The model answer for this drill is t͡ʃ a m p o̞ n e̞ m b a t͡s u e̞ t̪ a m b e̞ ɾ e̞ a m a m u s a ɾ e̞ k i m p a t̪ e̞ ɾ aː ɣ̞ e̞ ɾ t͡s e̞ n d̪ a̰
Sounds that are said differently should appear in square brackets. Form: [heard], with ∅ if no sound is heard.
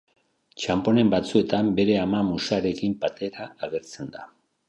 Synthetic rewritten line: t͡ʃ a m p o̞ n e̞ m b a t͡s u e̞ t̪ a m b e̞ ɾ e̞ a m a m u s a ɾ e̞ k i m p a t̪ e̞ ɾ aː ɣ̞ e̞ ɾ t͡s e̞ n d̪ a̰